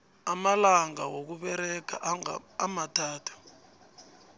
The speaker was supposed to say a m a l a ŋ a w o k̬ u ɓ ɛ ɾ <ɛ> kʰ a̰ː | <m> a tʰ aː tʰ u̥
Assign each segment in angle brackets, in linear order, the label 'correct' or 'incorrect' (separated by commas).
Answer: correct, correct